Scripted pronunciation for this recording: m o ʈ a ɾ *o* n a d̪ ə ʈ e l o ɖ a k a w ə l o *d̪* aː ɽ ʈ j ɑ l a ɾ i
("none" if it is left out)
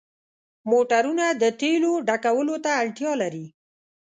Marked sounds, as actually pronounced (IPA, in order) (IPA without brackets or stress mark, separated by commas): u, t̪